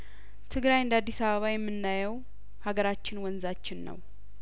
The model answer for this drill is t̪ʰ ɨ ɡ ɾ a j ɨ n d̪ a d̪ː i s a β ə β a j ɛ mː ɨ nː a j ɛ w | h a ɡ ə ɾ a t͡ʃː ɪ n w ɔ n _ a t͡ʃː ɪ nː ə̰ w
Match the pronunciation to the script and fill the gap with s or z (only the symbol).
z